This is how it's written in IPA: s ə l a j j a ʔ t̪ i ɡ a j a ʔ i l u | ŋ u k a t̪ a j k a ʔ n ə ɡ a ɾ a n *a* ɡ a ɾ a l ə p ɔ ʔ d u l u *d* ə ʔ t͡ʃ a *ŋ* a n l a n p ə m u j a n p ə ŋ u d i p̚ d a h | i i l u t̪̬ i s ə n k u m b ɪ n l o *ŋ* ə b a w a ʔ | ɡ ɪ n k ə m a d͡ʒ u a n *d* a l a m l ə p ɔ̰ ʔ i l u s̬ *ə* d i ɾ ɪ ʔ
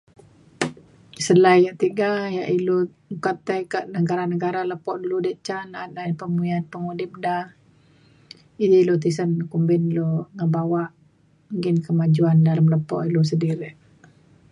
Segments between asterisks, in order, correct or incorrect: incorrect: ə, correct, incorrect: n, correct, correct, correct

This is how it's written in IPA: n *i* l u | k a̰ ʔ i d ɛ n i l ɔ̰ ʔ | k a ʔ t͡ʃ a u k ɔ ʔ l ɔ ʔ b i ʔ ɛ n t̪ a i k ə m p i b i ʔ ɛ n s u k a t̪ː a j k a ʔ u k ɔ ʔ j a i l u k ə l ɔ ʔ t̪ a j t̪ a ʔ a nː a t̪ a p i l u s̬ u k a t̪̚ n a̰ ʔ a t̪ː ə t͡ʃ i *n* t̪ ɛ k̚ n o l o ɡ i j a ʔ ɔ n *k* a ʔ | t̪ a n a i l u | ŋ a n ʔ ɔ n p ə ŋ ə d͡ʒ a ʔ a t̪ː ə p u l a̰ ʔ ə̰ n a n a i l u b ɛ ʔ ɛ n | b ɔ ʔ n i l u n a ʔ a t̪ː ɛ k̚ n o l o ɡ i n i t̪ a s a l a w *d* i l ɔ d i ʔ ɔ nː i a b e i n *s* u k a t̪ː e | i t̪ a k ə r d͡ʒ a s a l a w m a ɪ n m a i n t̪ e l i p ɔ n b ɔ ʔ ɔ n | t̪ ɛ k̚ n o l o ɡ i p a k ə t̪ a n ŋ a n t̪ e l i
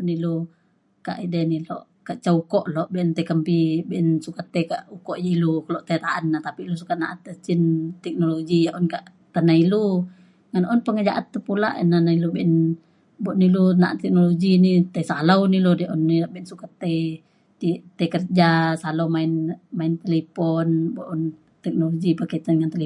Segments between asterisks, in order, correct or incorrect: correct, correct, correct, incorrect: n, correct

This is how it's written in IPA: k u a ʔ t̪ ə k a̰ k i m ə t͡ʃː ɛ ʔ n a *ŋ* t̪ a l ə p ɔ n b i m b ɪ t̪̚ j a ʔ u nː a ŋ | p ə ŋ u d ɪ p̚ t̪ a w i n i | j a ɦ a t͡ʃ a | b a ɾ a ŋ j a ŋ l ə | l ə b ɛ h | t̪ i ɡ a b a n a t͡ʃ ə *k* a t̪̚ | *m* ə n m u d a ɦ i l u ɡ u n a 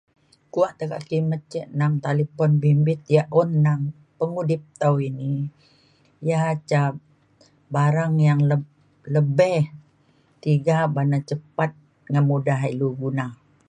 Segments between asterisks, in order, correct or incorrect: correct, incorrect: p, incorrect: ŋ

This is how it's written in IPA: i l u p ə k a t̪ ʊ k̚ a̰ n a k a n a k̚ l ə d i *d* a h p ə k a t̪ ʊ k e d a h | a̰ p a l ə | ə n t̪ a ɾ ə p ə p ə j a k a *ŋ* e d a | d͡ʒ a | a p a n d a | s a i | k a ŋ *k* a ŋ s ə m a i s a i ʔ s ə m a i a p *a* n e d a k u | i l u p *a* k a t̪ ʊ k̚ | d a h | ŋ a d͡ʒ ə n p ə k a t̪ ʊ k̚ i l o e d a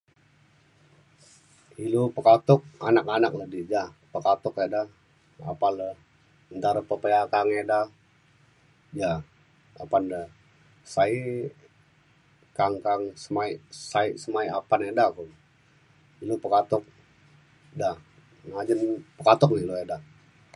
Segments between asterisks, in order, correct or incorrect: incorrect: d͡ʒ, correct, correct, correct, incorrect: ə

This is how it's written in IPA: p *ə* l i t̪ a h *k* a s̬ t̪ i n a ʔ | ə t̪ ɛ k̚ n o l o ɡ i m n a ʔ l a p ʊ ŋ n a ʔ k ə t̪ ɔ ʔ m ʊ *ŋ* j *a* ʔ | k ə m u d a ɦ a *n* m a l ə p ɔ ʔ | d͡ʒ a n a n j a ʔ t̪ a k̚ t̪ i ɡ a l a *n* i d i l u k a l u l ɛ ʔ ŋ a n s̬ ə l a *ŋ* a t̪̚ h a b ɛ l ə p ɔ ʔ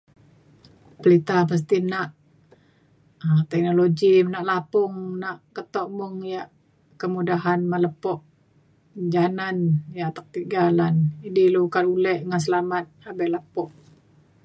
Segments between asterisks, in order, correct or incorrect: correct, incorrect: p, correct, correct, correct, correct, incorrect: m

